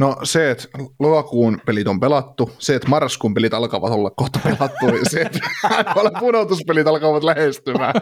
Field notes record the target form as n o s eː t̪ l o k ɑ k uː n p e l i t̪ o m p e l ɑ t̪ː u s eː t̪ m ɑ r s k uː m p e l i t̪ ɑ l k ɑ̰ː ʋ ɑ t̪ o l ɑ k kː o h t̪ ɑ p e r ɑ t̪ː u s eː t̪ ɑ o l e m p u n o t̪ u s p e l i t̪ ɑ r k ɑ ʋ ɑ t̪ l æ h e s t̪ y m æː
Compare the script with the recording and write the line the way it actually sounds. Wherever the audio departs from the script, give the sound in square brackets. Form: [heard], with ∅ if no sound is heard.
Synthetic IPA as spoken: n o s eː t̪ l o k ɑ k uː n p e l i t̪ o m p e l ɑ t̪ː u s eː t̪ m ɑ r s k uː m p e l i t̪ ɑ l k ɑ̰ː ʋ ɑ t̪ o [lː] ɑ k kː o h t̪ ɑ p e [l] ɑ t̪ː u s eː t̪ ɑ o l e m p u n o t̪ u s p e l i t̪ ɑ [l] k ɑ ʋ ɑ t̪ l æ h e s t̪ y m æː